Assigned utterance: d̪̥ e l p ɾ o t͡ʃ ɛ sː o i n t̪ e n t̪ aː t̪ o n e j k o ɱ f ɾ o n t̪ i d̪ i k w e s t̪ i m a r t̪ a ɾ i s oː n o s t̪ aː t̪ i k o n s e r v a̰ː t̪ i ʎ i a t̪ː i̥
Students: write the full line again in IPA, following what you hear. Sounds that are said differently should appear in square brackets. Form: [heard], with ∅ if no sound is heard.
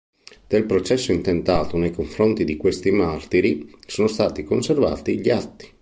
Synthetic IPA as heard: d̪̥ e l p ɾ o t͡ʃ ɛ sː o i n t̪ e n t̪ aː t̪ o n e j k o ɱ f ɾ o n t̪ i d̪ i k w e s t̪ i m a r t̪ [i] ɾ i s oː n o s t̪ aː t̪ i k o n s e r v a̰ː t̪ i ʎ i a t̪ː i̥